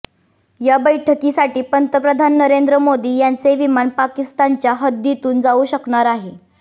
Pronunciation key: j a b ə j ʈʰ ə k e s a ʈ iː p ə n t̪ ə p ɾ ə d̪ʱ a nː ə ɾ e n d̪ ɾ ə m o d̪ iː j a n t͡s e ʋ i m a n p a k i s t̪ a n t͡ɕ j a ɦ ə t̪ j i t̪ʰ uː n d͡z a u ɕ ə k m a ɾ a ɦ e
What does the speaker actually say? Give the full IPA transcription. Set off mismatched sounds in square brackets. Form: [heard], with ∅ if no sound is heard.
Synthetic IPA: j a b ə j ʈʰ ə k [i] s a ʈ iː p ə n t̪ ə p ɾ ə d̪ʱ a nː ə ɾ e n d̪ ɾ ə m o d̪ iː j a n t͡s e ʋ i m a n p a k i s t̪ a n t͡ɕ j a ɦ ə [d̪] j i [t̪] uː n d͡z a u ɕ ə k [ɳ] a ɾ a ɦ e